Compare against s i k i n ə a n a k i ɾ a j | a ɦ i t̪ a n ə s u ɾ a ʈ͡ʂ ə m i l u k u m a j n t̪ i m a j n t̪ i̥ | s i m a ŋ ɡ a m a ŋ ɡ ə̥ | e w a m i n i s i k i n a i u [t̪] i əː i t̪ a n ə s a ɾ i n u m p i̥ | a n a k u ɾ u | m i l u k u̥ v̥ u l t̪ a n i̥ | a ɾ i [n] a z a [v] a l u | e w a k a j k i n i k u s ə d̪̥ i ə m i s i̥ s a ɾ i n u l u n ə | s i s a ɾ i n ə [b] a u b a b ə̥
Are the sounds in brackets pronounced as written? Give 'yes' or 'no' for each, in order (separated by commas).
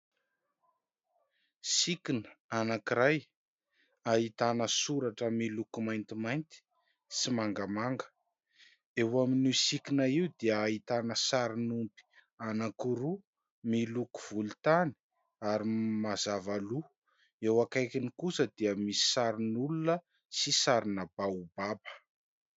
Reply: no, no, yes, yes